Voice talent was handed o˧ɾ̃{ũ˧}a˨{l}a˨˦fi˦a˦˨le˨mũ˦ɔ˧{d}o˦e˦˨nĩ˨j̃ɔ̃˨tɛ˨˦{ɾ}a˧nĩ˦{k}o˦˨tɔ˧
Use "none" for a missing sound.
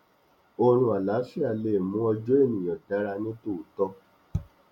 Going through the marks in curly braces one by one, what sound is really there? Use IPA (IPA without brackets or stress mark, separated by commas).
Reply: ũ˧, l, d͡ʒ, ɾ, t